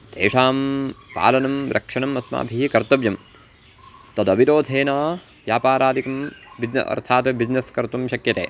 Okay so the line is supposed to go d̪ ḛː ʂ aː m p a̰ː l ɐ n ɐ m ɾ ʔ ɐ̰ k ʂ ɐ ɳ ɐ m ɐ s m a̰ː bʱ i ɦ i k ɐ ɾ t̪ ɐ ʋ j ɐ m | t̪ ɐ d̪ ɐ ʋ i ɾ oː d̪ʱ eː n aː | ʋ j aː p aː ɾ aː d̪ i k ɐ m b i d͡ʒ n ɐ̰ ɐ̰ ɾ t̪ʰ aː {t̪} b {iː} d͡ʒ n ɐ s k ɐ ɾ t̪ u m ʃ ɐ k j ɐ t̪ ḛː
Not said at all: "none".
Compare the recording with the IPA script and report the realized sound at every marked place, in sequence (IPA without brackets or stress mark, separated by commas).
t̪, i